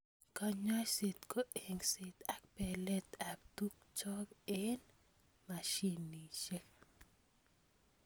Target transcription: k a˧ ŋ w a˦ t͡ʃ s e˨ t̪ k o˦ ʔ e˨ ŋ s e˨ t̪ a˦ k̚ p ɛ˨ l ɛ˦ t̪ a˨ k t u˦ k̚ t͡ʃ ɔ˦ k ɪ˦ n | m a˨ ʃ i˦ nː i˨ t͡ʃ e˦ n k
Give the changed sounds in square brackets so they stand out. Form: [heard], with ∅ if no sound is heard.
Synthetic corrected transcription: k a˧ [ɲ] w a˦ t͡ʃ s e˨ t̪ k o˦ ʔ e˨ ŋ s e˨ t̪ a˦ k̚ p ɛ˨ l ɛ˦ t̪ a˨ k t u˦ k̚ t͡ʃ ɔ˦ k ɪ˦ n | m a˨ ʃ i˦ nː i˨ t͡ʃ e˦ [∅] k